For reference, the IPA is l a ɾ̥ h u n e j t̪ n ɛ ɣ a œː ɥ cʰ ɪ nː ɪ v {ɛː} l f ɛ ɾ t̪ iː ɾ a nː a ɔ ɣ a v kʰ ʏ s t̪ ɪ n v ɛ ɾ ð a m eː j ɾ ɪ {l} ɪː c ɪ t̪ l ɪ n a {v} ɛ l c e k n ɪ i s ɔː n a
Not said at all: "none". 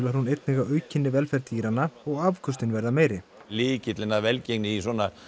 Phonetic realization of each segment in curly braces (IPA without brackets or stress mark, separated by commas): ɛ, l, v